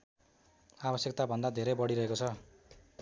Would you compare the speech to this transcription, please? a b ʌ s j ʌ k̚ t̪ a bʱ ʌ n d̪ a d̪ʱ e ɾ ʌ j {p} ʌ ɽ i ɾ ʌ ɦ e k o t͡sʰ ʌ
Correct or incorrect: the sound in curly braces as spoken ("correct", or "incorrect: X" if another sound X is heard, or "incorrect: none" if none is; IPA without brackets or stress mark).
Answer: incorrect: b